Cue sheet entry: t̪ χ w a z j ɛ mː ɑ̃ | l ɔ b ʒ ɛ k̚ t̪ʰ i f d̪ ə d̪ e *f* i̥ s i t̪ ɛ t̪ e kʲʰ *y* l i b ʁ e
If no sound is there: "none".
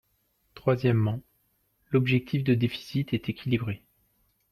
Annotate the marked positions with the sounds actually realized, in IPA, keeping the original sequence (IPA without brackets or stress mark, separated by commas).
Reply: f, i